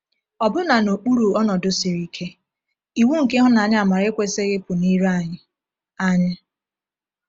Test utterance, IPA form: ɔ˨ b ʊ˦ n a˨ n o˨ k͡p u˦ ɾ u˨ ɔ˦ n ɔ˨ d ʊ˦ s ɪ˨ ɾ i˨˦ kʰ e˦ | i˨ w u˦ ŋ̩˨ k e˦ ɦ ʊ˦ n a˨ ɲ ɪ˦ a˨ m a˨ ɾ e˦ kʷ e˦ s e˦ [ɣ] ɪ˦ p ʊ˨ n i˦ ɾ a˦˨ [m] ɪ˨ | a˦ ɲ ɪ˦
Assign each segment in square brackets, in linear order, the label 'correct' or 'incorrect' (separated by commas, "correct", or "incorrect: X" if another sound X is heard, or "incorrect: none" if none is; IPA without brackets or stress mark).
correct, incorrect: ɲ